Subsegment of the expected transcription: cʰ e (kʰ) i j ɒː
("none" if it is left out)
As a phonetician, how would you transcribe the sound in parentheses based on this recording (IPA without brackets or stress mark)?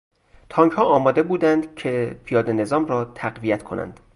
pʰ